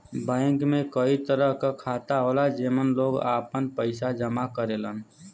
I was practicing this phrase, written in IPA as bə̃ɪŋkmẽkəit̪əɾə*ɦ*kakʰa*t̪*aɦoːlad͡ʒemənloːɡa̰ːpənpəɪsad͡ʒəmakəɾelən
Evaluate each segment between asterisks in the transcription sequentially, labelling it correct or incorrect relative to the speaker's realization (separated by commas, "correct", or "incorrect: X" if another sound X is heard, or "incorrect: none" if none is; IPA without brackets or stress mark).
correct, correct